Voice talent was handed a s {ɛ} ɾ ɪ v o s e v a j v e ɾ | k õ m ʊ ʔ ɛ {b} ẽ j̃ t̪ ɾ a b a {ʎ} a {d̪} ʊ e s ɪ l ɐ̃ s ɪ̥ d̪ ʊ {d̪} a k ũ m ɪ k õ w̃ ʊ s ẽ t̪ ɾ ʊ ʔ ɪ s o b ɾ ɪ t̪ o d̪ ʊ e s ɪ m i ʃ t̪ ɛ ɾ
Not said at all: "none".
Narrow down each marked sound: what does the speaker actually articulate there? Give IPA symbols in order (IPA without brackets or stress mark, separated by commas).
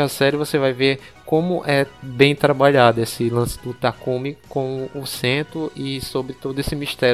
ɛ, b, ʎ, d̪, t̪